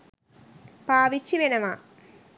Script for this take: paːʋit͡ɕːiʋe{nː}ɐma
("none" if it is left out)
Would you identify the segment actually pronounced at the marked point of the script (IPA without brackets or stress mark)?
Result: n